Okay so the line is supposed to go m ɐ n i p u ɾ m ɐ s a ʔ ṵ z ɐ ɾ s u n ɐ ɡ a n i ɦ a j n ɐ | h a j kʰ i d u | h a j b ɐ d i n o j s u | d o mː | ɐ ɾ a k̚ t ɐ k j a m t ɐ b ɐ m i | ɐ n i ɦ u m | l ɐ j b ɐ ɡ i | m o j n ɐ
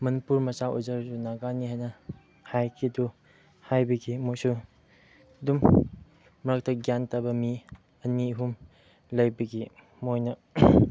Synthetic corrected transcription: m ɐ n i p u ɾ m ɐ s a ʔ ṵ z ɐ ɾ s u n a ɡ a n i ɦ a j n ɐ | h a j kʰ i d u | h a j b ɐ ɡ i m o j s u | d u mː | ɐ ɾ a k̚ t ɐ ɡ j a n t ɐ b ɐ m i | ɐ n i ɦ u m | l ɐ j b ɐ ɡ i | m o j n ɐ